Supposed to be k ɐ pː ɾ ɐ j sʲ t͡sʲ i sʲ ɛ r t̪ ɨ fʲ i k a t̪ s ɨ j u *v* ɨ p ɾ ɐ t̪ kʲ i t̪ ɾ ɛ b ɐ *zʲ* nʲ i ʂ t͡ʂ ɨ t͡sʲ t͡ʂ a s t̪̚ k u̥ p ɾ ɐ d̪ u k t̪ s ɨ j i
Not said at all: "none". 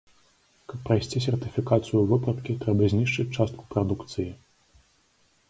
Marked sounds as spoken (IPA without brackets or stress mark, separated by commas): v, zʲ